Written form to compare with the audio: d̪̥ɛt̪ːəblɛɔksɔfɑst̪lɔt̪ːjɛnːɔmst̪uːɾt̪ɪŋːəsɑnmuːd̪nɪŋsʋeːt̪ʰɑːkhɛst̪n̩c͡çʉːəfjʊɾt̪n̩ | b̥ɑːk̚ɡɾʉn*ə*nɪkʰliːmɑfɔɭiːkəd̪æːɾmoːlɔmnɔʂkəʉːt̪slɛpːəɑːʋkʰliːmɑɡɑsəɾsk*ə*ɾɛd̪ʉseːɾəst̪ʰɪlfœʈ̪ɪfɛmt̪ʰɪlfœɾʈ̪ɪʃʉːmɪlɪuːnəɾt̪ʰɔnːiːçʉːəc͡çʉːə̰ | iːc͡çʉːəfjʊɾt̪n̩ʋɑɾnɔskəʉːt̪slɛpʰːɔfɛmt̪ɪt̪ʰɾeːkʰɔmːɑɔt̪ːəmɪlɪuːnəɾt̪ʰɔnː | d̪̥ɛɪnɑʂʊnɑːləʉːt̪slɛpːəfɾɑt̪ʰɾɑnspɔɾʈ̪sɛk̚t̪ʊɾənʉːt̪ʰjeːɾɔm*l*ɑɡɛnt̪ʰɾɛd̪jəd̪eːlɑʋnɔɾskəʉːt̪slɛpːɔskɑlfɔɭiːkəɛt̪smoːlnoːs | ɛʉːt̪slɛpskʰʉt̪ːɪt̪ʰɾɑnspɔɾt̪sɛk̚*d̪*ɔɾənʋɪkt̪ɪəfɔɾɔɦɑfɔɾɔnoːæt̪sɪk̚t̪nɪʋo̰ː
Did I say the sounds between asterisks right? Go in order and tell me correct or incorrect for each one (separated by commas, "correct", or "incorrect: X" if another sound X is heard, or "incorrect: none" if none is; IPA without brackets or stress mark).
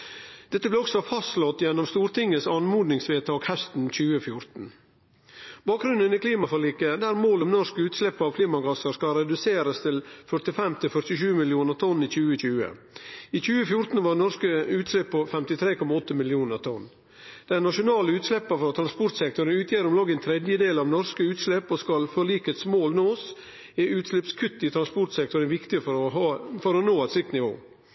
correct, incorrect: ɑ, correct, incorrect: t̪